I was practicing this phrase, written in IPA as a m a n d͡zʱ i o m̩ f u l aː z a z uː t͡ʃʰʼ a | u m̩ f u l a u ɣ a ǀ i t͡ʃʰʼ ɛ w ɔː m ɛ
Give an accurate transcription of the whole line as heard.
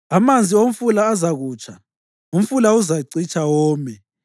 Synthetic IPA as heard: a m a n d͡zʱ i o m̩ f u l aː z a ɣ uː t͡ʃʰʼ a | u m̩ f u l a u z a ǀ i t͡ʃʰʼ a w ɔː m ɛ